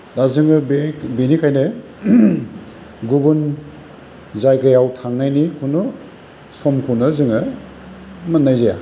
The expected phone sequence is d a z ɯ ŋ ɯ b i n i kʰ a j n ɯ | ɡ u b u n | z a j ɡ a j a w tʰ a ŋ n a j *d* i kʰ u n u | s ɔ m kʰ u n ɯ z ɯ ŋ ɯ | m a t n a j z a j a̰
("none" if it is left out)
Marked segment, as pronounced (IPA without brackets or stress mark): n